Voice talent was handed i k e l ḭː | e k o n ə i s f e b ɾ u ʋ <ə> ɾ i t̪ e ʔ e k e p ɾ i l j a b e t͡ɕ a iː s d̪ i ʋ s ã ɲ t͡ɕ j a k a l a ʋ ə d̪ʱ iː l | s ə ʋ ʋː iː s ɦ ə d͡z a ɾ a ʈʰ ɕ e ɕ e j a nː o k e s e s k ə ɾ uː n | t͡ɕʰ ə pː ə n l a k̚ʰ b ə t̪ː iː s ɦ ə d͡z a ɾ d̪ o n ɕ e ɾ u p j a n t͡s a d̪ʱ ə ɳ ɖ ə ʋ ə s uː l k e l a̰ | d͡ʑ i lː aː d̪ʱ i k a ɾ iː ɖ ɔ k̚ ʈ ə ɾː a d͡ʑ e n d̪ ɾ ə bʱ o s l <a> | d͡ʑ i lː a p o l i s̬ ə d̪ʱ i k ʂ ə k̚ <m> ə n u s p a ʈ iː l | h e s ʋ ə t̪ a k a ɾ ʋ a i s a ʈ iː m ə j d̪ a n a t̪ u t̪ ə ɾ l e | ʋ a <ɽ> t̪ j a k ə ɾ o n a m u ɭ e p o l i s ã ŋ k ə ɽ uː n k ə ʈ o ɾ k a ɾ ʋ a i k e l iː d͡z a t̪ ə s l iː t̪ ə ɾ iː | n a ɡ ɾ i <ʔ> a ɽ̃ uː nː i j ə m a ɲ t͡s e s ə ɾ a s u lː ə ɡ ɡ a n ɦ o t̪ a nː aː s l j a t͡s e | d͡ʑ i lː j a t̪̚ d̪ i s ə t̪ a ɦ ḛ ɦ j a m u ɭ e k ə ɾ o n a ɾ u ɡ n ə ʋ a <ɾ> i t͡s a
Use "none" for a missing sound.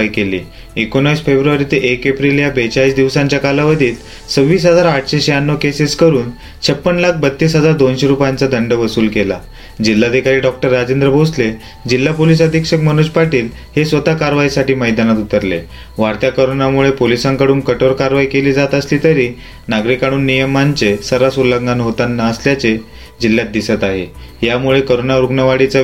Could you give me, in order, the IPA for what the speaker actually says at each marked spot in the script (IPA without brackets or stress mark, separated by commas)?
a, e, m, ɾ, k, ɽ